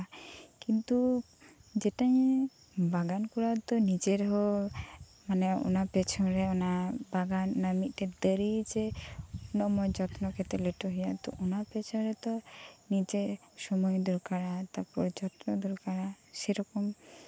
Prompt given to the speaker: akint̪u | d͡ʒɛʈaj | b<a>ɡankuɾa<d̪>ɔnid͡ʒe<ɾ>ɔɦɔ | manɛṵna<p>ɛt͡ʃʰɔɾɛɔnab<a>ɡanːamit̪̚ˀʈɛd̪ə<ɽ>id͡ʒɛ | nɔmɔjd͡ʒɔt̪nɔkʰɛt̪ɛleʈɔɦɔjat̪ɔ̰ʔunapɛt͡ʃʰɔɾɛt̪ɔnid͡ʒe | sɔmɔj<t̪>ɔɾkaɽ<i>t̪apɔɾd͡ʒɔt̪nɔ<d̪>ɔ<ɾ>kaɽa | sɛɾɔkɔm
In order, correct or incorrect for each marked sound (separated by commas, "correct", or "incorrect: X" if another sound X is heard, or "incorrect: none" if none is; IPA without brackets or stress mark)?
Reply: correct, incorrect: t̪, correct, correct, correct, incorrect: ɾ, incorrect: d̪, incorrect: a, correct, correct